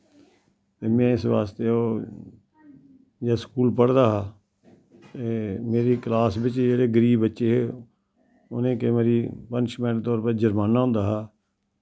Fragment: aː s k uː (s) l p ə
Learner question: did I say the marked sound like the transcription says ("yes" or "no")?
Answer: no